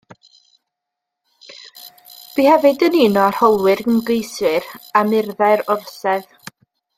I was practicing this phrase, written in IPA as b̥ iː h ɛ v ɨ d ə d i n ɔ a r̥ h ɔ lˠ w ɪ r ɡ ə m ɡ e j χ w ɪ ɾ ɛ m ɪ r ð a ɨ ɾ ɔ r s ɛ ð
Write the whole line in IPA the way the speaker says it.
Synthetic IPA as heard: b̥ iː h ɛ v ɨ d ə n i n ɔ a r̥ h ɔ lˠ w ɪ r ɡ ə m ɡ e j s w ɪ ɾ a m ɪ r ð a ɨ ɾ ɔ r s ɛ ð